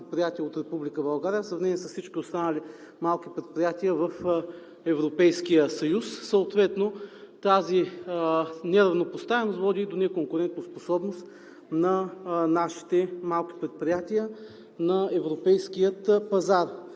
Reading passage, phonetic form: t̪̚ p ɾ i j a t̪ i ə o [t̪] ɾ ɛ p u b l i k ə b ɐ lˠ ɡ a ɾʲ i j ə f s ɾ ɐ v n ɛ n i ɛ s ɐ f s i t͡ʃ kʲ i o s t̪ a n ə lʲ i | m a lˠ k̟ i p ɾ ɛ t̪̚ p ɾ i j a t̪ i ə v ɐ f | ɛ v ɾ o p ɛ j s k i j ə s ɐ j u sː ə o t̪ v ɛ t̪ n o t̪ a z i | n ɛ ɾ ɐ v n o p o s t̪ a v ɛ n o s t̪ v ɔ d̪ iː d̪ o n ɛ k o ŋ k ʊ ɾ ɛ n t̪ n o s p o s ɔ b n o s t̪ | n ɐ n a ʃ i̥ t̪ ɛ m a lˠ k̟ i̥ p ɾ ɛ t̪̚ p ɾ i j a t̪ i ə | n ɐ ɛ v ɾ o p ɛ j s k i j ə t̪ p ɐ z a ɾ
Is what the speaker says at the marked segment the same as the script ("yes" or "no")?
yes